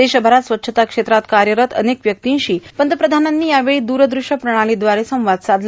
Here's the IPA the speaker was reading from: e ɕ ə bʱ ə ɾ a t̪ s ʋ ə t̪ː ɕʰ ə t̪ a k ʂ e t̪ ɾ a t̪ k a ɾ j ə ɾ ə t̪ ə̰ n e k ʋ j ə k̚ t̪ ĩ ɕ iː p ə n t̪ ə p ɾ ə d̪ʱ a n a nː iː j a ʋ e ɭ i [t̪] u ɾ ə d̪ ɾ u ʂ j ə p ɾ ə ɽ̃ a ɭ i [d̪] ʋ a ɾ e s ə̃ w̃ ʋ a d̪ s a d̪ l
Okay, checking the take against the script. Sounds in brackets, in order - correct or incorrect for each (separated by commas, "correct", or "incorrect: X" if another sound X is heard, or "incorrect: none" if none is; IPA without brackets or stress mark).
incorrect: d̪, correct